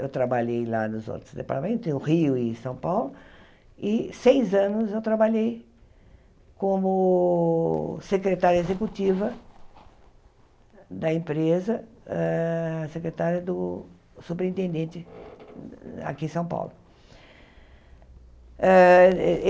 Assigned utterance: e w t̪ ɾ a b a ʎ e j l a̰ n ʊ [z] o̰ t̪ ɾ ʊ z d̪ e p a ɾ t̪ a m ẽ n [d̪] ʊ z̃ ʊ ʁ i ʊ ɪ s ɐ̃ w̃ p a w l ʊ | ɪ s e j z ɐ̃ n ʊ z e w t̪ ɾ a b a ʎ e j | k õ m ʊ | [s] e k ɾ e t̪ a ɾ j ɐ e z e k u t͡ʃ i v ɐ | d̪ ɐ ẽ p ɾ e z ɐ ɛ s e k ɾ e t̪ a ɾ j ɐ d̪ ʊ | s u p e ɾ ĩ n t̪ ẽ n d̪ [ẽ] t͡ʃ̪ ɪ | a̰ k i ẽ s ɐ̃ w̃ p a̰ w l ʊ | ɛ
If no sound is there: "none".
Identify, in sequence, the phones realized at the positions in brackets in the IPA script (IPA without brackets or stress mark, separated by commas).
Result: z, t̪, s, ẽ